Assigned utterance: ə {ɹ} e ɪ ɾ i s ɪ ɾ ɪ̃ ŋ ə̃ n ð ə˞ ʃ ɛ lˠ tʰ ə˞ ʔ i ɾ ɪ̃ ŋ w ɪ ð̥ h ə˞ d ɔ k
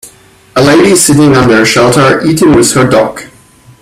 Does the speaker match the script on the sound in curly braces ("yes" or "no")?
no